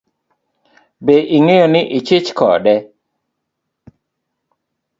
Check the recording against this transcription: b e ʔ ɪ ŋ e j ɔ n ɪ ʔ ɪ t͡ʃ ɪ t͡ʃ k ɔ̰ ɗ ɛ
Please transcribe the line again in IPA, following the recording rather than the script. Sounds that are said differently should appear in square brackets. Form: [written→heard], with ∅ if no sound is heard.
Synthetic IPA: b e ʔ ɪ ŋ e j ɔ n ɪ ʔ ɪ t͡ʃ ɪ t͡ʃ k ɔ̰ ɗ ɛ